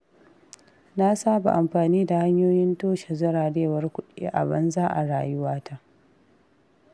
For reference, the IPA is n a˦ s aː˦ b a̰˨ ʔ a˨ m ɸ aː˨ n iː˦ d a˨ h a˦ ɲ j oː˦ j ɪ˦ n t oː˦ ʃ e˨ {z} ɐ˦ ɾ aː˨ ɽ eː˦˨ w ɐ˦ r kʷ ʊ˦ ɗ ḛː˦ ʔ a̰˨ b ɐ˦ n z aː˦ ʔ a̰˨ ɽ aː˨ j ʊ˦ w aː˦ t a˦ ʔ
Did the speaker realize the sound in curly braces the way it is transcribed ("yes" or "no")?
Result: yes